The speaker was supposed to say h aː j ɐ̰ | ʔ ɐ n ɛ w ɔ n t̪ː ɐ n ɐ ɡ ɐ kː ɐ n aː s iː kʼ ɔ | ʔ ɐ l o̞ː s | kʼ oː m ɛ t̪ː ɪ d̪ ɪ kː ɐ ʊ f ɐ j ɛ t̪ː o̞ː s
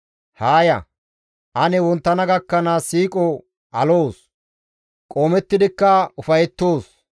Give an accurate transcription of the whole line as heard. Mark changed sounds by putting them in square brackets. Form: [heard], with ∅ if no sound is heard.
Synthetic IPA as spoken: h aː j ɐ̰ | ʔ ɐ n ɛ w ɔ n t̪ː ɐ n ɐ ɡ ɐ kː ɐ n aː s iː kʼ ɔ | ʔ ɐ l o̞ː s | kʼ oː m ɛ t̪ː ɪ d̪ ɪ kː ɐ ʊ f ɐ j ɛ t̪ː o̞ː s

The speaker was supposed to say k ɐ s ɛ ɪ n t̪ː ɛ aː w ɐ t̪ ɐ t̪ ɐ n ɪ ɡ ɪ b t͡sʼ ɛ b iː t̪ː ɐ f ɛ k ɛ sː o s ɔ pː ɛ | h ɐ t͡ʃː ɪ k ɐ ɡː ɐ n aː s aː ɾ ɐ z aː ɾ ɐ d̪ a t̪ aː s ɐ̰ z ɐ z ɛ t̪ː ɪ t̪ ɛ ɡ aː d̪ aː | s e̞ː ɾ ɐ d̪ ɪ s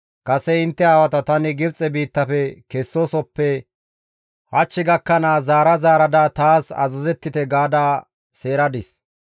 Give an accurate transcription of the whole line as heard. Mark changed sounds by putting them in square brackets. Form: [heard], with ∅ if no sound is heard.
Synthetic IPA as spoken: k ɐ s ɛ ɪ n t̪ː ɛ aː w ɐ t̪ ɐ t̪ ɐ n ɪ ɡ ɪ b t͡sʼ ɛ b iː t̪ː ɐ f ɛ k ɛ sː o s ɔ pː ɛ | h ɐ t͡ʃː ɪ [ɡ] ɐ [kː] ɐ n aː [z] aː ɾ ɐ z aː ɾ ɐ d̪ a t̪ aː s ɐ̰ z ɐ z ɛ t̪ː ɪ t̪ ɛ ɡ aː d̪ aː | s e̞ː ɾ ɐ d̪ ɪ s

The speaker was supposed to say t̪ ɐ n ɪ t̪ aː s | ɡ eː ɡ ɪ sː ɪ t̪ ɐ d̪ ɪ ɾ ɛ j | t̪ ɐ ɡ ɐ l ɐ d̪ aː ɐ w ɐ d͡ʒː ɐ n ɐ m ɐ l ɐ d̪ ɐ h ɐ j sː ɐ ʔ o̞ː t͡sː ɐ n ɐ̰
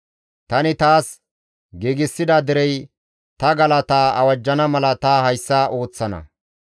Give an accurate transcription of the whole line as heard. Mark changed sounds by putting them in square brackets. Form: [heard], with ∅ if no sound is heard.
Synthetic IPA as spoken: t̪ ɐ n ɪ t̪ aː s | ɡ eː ɡ ɪ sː ɪ [d̪] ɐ d̪ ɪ ɾ ɛ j | t̪ ɐ ɡ ɐ l ɐ [t̪] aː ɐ w ɐ d͡ʒː ɐ n ɐ m ɐ l ɐ [t̪] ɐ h ɐ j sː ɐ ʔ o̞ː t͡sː ɐ n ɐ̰

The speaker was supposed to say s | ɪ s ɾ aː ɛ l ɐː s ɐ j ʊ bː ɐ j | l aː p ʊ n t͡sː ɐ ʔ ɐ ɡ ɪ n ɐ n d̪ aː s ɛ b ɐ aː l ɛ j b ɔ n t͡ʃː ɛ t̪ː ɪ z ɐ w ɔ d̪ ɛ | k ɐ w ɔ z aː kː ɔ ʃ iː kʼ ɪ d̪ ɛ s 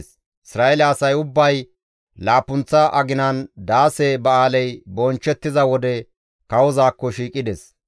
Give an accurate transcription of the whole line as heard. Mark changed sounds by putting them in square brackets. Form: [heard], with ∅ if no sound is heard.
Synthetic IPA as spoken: s | ɪ s ɾ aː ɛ l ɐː s ɐ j ʊ bː ɐ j | l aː p ʊ n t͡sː ɐ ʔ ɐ ɡ ɪ n ɐ n d̪ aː s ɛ b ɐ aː l ɛ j b ɔ n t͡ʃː ɛ t̪ː ɪ z ɐ w ɔ d̪ ɛ | k ɐ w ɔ z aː kː ɔ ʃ iː kʼ ɪ d̪ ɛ s

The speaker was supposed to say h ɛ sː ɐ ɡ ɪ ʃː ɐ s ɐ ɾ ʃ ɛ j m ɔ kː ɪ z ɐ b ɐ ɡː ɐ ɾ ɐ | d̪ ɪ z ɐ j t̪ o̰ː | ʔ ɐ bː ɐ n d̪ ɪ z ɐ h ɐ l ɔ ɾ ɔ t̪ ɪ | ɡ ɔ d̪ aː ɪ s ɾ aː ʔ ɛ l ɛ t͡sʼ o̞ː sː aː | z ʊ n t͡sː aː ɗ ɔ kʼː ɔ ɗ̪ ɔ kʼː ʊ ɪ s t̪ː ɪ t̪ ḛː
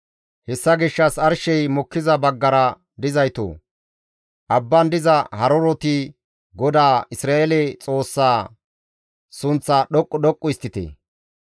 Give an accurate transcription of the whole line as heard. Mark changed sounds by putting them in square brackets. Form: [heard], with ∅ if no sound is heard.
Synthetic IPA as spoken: h ɛ sː ɐ ɡ ɪ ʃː ɐ s ɐ ɾ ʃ ɛ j m ɔ kː ɪ z ɐ b ɐ ɡː ɐ ɾ ɐ | d̪ ɪ z ɐ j t̪ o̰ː | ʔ ɐ bː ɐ n d̪ ɪ z ɐ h ɐ [ɾ] ɔ ɾ ɔ t̪ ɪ | ɡ ɔ d̪ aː ɪ s ɾ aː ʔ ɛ l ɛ t͡sʼ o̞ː sː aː | [s] ʊ n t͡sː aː ɗ ɔ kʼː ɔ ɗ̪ ɔ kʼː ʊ ɪ s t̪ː ɪ t̪ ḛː

